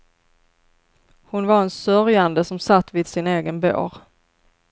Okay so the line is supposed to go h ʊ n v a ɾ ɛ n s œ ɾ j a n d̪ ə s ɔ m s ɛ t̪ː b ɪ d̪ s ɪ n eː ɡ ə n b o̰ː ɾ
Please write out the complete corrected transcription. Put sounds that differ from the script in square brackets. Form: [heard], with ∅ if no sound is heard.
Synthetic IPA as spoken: h ʊ n v a ɾ ɛ n s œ ɾ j a n d̪ ə s ɔ m s [a] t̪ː [v] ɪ d̪ s ɪ n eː ɡ ə n b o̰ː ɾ